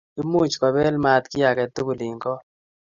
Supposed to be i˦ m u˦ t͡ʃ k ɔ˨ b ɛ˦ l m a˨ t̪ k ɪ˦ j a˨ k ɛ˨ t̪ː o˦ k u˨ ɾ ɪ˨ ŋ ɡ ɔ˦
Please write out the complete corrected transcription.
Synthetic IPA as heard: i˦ m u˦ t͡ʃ k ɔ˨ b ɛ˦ l m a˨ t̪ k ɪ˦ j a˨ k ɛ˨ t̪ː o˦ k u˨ l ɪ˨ ŋ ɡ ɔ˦